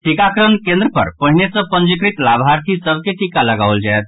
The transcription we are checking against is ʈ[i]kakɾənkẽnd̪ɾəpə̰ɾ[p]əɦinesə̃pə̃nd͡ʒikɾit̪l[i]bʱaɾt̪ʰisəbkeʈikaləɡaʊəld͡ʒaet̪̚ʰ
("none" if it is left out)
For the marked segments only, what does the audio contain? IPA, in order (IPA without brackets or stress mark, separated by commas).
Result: i, p, a